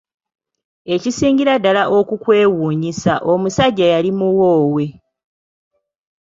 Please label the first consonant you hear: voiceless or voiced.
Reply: voiceless